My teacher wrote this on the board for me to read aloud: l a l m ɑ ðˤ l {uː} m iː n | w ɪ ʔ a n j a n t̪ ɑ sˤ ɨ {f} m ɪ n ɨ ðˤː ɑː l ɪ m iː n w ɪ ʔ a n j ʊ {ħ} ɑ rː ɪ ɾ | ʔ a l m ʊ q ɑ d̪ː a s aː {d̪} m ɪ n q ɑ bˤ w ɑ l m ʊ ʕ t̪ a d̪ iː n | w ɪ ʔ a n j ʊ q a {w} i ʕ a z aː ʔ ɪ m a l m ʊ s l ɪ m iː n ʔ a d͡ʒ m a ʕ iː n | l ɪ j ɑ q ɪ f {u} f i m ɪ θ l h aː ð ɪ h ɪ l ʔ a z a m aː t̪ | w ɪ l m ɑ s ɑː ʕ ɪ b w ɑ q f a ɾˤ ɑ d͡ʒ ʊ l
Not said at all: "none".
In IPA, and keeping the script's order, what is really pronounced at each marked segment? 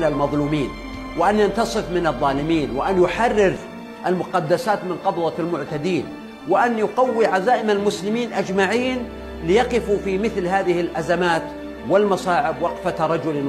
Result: uː, f, ħ, t̪, wː, u

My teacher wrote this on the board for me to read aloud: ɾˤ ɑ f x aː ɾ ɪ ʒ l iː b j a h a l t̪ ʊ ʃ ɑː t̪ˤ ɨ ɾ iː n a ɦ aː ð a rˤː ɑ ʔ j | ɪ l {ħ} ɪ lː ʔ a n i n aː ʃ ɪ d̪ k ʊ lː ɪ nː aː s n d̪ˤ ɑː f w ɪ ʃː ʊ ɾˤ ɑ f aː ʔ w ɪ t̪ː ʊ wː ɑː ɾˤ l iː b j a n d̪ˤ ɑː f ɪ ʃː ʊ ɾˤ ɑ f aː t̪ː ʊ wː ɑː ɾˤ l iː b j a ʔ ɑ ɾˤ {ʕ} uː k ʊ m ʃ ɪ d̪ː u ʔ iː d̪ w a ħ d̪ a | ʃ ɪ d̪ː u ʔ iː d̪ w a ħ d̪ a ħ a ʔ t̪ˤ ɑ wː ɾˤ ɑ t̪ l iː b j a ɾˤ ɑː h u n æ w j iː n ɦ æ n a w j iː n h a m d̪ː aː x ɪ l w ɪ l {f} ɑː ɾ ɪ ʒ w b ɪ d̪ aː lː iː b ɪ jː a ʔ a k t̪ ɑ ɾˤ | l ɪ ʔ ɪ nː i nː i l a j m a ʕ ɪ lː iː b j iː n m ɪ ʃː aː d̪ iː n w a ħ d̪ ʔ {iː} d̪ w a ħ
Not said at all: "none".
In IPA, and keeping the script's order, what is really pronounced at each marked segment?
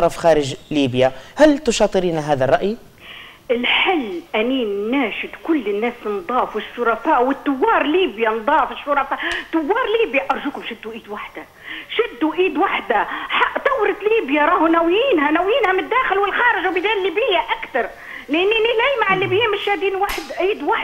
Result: ħ, ʒ, x, iː

